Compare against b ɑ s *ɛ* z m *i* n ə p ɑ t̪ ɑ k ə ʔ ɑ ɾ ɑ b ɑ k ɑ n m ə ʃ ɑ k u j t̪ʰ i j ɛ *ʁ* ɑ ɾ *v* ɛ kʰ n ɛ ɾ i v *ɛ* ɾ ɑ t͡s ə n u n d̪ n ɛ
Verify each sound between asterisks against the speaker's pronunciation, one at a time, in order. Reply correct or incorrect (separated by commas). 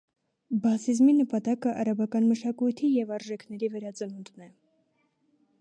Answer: incorrect, correct, incorrect, incorrect, correct